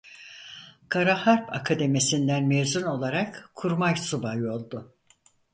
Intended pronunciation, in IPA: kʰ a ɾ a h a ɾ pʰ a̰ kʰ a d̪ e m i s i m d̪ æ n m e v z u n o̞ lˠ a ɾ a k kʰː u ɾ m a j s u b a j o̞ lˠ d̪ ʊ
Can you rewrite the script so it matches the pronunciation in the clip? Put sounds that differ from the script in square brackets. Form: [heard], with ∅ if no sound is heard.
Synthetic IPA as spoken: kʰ a ɾ a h a ɾ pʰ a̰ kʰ a d̪ e m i s i [n] d̪ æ n m e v z u n o̞ lˠ a ɾ a k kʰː u ɾ m a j s u b a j o̞ lˠ d̪ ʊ